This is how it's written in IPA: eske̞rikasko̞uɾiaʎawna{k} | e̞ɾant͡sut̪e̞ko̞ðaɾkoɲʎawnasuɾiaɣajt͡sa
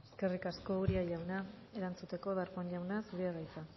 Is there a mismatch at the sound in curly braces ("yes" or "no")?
yes